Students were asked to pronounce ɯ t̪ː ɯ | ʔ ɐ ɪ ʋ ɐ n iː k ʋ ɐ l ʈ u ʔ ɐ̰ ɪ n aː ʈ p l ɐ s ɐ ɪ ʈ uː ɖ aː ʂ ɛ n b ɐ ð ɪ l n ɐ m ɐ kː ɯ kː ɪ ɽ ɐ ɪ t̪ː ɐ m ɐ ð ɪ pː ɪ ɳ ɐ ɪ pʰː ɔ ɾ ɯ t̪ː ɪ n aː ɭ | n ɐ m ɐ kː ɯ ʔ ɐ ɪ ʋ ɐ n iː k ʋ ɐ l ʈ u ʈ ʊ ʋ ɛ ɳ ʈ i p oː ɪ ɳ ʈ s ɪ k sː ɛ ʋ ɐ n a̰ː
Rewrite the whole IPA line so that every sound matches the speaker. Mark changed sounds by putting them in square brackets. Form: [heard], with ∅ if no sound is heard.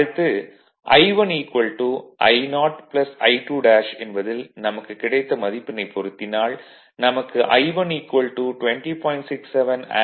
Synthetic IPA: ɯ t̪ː ɯ | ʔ ɐ ɪ ʋ ɐ n iː k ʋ ɐ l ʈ u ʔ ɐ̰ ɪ n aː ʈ p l ɐ s ɐ ɪ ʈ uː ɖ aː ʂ ɛ n b ɐ ð ɪ l n ɐ m ɐ kː ɯ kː ɪ ɽ ɐ ɪ t̪ː ɐ m ɐ ð ɪ pː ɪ [n] ɐ ɪ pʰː ɔ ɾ ɯ t̪ː ɪ n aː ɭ | n ɐ m ɐ kː ɯ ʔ ɐ ɪ ʋ ɐ n iː k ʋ ɐ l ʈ u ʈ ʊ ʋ ɛ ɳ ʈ i p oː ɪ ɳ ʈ s ɪ k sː ɛ ʋ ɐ n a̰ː